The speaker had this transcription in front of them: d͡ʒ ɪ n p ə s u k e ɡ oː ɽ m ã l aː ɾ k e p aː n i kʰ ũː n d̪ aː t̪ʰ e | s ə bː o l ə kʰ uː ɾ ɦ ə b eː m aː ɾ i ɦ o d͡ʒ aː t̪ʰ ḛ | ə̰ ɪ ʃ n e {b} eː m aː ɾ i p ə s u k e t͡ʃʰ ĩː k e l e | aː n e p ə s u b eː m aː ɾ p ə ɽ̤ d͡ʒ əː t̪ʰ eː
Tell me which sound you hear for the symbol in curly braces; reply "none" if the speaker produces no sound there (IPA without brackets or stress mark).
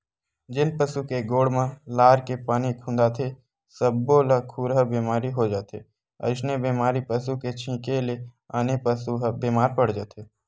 b